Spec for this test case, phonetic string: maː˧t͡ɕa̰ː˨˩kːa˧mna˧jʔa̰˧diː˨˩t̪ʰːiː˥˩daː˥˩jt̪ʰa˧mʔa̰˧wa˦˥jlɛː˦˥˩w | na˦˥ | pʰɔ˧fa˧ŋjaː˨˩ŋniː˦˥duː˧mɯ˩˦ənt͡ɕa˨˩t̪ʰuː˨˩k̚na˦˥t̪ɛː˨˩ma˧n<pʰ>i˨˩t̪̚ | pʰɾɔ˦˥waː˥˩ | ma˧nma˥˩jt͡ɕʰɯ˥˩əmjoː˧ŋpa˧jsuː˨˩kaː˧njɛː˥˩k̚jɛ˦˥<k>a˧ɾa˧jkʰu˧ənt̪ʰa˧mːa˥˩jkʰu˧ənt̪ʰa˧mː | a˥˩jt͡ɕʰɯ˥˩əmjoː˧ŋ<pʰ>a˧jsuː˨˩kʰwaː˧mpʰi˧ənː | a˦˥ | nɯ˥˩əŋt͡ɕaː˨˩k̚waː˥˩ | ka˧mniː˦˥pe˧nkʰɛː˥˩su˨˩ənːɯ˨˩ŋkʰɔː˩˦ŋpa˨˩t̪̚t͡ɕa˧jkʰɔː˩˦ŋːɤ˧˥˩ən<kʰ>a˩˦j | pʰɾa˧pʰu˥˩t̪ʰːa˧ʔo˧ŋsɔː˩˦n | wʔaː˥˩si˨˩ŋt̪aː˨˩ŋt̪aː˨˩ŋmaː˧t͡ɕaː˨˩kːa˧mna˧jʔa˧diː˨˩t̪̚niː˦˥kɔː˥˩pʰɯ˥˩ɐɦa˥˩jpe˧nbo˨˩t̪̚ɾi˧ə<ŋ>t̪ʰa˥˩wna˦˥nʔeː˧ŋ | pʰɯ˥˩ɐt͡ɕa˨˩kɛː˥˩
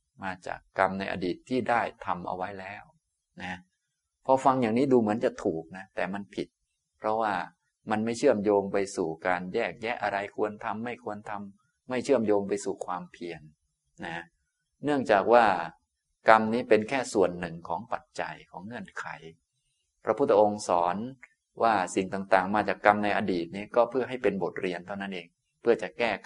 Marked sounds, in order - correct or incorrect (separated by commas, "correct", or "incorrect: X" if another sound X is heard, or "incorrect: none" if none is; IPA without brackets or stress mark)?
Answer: correct, incorrect: ʔ, incorrect: p, correct, incorrect: n